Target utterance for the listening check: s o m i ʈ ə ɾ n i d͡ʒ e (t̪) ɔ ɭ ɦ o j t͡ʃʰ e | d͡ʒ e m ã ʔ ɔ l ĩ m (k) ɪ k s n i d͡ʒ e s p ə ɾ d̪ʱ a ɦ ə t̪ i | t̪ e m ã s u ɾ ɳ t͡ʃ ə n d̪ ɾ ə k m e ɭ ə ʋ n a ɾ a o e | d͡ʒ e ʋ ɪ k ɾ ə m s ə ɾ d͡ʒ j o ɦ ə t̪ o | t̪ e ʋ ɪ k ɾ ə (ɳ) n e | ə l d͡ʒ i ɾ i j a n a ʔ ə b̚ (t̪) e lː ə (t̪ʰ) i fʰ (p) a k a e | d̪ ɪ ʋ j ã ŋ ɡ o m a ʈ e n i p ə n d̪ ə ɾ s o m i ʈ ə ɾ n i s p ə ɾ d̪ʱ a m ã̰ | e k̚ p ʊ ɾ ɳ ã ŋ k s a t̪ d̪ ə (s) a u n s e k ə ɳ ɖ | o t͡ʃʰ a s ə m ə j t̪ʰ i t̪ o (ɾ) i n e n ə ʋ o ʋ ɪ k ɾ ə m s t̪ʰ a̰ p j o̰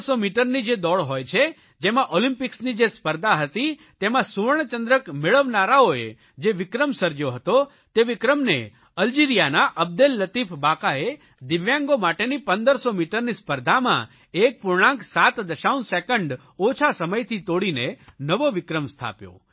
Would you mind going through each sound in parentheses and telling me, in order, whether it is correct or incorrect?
incorrect: d̪, incorrect: p, incorrect: m, incorrect: d̪, incorrect: t̪, incorrect: b, incorrect: ʃ, incorrect: ɽ

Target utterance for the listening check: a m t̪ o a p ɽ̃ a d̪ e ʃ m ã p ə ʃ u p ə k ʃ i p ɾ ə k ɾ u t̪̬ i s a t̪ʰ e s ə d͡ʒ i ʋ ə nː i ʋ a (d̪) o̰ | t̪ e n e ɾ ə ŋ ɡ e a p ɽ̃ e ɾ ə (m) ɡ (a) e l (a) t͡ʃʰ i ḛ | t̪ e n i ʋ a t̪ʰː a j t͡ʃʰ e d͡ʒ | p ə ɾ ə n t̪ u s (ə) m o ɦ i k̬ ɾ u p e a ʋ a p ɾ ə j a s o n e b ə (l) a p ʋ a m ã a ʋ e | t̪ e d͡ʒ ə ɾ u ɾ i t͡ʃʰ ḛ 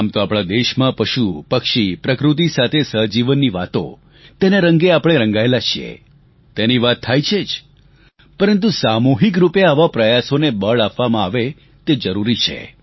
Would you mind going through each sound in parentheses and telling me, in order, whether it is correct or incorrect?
incorrect: t̪, incorrect: ŋ, correct, correct, incorrect: a, incorrect: ɭ

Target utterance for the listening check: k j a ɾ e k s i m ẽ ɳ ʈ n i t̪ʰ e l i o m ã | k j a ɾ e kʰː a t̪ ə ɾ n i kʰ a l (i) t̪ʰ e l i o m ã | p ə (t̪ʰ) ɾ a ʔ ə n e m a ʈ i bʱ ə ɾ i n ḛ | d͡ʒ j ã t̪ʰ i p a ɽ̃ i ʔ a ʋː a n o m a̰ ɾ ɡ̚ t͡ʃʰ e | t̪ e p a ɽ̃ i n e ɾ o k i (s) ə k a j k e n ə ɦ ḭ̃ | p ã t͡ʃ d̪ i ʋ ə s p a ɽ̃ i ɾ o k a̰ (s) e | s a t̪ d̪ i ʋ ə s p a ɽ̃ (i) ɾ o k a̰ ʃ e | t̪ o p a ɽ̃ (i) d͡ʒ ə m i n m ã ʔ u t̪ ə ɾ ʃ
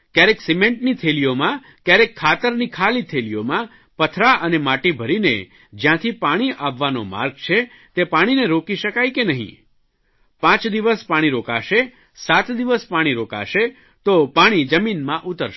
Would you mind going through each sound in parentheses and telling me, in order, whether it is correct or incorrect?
correct, correct, incorrect: ʃ, incorrect: ʃ, correct, correct

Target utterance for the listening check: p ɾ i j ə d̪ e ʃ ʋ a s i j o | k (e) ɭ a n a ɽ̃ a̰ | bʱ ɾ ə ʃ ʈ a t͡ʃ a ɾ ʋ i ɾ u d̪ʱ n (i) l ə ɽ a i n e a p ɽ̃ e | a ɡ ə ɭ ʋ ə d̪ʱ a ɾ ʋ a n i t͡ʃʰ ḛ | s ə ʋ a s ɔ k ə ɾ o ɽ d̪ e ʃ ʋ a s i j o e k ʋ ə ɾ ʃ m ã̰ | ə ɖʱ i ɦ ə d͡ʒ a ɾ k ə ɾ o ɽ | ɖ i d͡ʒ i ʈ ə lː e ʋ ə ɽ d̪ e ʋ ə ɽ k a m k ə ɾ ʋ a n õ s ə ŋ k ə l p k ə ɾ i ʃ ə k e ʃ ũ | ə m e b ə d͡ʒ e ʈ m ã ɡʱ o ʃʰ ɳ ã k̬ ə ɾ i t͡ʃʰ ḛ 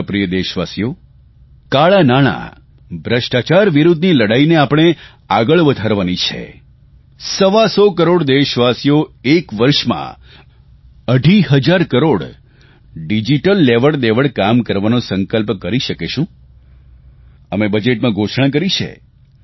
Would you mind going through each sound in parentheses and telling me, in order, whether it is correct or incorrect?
incorrect: a, correct

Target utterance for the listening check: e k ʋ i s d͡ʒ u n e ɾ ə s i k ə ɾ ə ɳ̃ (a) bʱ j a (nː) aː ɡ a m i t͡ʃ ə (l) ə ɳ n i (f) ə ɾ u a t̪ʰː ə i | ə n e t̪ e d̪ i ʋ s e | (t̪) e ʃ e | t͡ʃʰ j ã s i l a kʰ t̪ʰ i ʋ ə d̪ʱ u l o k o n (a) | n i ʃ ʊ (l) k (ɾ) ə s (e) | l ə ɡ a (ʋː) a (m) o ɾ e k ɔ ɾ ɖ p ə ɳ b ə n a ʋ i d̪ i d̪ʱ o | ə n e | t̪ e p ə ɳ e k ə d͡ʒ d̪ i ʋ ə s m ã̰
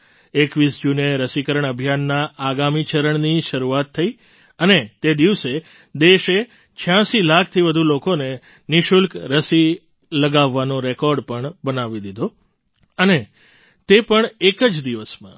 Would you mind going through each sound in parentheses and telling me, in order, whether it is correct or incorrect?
incorrect: ə, correct, incorrect: ɾ, incorrect: ʃ, incorrect: d̪, incorrect: e, correct, correct, incorrect: i, correct, incorrect: n

